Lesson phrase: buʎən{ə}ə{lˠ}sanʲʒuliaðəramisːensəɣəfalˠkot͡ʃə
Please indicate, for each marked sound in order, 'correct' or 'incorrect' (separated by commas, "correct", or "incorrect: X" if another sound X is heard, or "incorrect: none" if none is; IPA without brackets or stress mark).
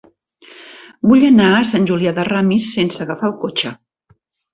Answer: incorrect: a, incorrect: none